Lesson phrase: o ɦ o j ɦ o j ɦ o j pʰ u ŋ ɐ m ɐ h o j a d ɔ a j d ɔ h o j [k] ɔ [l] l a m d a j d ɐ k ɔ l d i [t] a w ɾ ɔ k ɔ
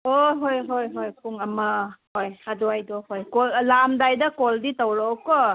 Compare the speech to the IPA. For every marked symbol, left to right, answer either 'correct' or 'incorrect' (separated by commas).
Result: correct, correct, correct